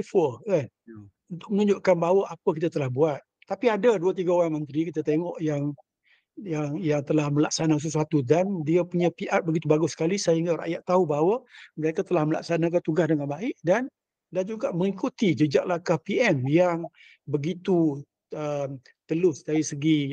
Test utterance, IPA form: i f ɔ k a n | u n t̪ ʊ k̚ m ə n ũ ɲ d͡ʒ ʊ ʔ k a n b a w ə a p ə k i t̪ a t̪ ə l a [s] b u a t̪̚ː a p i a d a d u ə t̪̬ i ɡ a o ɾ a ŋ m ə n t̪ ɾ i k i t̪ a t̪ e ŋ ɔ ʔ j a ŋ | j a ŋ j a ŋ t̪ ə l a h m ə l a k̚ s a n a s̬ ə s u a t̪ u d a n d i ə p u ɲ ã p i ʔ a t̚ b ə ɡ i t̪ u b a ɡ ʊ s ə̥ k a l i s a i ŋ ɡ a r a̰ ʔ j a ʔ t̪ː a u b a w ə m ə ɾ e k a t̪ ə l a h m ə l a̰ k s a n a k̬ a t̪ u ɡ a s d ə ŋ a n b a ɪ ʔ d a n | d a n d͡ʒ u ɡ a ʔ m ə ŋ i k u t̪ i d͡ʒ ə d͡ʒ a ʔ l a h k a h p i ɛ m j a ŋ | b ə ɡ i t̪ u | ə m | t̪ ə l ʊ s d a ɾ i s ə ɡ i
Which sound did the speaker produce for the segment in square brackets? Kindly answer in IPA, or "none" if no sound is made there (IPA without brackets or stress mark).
h